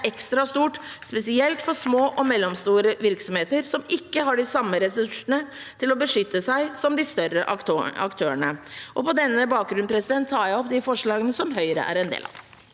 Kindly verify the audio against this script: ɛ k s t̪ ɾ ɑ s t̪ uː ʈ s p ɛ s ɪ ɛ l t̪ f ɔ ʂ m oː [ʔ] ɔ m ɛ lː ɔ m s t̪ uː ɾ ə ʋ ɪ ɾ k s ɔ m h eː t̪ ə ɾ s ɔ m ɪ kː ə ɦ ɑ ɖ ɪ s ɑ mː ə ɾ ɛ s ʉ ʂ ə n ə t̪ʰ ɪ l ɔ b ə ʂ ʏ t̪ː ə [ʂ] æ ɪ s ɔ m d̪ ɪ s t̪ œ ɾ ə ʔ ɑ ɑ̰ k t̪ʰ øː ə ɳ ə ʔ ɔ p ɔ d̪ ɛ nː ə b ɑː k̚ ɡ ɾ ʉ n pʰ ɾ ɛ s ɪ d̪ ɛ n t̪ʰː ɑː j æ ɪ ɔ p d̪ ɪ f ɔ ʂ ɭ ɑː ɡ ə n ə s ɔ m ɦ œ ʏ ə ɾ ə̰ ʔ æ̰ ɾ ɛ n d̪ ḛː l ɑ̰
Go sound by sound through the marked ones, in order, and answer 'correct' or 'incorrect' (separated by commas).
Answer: correct, incorrect